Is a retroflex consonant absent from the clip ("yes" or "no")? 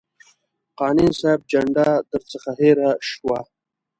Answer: no